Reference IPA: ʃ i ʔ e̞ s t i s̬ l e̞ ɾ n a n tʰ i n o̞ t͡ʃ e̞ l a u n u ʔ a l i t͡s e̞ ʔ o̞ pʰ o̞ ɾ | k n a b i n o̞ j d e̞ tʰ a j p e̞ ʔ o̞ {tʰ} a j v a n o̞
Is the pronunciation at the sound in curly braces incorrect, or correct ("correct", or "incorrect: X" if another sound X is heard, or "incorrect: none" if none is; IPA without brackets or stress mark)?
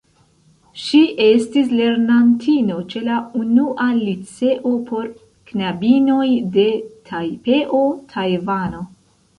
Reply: correct